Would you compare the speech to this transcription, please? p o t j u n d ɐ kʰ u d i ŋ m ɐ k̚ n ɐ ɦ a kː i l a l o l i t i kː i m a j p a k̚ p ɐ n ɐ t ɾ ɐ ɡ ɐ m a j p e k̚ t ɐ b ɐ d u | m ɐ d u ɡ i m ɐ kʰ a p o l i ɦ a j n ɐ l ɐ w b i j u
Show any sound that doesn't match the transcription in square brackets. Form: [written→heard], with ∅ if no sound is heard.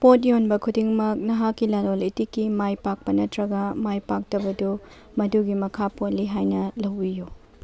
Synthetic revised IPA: p o t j [u→o] n [d→b] ɐ kʰ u d i ŋ m ɐ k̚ n ɐ ɦ a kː i l a l o l i t i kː i m a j p a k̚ p ɐ n ɐ t ɾ ɐ ɡ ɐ m a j p [e→a] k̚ t ɐ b ɐ d u | m ɐ d u ɡ i m ɐ kʰ a p o l i ɦ a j n ɐ l ɐ w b i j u